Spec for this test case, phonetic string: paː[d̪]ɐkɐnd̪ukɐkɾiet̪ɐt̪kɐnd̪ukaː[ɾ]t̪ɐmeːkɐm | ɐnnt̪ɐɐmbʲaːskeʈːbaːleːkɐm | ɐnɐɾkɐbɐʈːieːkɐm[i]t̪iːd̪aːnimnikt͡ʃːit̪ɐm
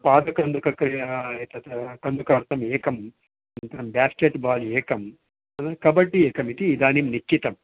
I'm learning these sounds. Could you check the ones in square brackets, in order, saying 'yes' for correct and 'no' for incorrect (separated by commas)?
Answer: yes, yes, yes